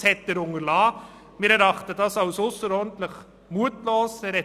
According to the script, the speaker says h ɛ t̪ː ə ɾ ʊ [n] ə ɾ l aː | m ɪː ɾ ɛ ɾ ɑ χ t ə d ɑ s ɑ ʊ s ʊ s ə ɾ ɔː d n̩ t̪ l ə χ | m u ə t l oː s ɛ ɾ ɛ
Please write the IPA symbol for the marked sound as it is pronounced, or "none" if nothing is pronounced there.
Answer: ŋ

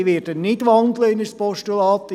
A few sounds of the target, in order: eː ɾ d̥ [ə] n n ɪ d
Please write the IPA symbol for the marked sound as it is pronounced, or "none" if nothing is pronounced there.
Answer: ə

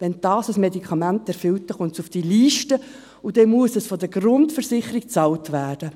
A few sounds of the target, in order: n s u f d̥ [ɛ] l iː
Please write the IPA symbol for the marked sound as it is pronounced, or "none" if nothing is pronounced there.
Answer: i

